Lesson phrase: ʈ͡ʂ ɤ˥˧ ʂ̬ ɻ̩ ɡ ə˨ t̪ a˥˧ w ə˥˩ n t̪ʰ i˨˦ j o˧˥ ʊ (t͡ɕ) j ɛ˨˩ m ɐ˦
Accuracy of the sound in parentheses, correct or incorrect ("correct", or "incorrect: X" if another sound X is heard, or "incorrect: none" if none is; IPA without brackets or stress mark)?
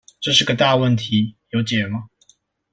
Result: correct